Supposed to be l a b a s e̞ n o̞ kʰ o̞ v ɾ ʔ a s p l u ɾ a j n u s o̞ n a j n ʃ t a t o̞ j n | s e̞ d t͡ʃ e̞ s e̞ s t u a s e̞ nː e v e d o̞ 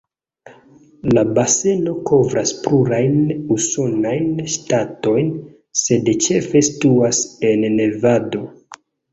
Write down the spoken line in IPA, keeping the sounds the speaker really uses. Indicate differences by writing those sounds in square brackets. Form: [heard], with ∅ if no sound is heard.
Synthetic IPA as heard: l a b a s e̞ n o̞ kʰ o̞ v ɾ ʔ a s p l u ɾ a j n u s o̞ n a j n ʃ t a t o̞ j n | s e̞ d t͡ʃ e̞ [f] e̞ s t u a s e̞ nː e v [a] d o̞